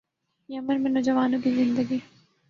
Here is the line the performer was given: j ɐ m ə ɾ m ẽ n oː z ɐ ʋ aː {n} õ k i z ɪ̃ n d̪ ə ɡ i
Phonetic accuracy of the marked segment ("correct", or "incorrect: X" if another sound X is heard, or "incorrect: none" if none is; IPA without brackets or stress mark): correct